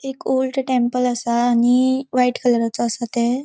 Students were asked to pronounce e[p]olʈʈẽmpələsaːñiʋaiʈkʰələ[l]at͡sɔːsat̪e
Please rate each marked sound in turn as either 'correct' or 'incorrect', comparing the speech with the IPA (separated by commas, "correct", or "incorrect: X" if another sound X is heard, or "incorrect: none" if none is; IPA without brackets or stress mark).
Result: incorrect: k, incorrect: ɾ